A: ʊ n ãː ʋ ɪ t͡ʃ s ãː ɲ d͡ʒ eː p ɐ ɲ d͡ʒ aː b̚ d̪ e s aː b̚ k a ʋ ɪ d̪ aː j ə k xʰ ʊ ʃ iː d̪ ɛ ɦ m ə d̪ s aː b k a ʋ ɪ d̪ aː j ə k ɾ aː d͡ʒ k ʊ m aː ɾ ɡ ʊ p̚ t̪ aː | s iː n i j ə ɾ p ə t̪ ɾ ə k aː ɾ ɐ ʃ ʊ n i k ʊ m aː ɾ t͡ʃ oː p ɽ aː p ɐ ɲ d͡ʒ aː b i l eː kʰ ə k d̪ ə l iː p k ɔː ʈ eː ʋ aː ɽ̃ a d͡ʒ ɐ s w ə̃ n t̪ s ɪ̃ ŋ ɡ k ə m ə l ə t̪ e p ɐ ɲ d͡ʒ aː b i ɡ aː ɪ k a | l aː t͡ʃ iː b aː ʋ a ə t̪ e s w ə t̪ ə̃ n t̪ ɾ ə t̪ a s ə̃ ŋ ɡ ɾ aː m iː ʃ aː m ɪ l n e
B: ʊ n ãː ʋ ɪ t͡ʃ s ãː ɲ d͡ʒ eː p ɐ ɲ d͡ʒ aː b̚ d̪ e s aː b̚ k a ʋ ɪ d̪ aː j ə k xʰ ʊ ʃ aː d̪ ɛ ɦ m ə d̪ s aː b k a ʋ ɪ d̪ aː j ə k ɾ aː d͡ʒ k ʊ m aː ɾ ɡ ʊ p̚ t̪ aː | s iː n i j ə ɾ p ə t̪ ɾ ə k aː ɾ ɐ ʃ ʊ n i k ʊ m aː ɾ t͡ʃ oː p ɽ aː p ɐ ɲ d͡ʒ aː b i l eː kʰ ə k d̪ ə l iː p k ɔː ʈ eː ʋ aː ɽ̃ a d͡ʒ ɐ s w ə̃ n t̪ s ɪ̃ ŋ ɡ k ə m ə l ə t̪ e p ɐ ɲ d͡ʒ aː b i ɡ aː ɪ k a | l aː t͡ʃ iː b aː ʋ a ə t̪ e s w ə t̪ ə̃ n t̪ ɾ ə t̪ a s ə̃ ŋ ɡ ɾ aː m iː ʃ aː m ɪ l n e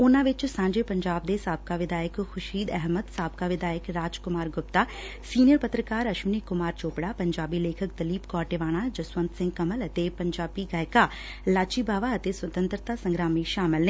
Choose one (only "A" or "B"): A